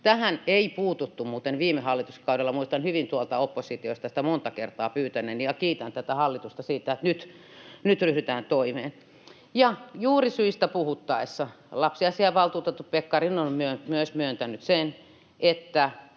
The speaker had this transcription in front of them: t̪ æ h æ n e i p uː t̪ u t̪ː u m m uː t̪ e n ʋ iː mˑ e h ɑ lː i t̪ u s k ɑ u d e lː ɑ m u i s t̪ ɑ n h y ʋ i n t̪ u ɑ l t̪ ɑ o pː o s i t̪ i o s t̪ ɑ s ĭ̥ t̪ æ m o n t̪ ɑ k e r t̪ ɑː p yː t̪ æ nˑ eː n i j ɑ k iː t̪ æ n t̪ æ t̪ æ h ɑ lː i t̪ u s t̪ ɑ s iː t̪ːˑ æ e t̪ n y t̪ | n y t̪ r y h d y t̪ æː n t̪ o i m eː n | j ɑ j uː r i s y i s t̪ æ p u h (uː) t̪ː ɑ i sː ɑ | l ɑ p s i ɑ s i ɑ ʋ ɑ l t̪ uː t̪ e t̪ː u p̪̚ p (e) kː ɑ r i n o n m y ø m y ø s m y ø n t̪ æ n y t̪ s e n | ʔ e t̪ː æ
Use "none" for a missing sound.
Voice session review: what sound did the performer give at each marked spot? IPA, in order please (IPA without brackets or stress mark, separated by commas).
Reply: u, e